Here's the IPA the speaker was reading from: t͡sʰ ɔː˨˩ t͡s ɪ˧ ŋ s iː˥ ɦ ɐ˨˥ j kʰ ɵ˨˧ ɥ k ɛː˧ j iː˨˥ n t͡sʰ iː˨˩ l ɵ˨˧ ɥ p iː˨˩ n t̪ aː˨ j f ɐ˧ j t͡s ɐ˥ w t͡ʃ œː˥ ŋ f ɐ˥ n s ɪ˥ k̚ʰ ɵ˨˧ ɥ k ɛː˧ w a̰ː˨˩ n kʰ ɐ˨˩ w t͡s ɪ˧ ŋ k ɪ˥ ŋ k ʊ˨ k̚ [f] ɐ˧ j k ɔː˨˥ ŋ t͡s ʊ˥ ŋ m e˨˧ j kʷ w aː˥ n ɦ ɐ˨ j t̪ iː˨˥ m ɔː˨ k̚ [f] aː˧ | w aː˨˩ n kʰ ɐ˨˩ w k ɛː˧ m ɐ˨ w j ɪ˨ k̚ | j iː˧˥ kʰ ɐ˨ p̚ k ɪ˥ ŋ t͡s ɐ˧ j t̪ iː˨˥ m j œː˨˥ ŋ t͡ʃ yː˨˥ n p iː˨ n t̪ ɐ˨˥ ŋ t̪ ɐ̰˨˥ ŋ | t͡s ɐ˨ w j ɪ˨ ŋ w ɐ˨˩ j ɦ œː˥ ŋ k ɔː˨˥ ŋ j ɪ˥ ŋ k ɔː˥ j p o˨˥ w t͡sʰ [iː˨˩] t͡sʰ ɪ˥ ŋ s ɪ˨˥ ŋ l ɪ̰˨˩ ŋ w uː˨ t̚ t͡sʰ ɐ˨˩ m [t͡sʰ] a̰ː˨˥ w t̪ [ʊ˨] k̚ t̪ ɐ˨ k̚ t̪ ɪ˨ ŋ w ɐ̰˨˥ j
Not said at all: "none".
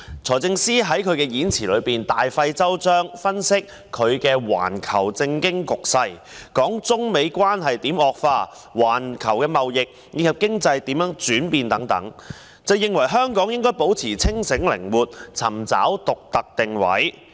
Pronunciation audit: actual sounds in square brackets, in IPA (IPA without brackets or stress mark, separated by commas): s, f, iː˨˩, t͡s, ʊ˨